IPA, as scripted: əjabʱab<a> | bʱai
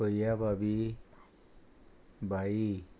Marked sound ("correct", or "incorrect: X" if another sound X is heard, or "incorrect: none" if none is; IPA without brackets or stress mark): incorrect: i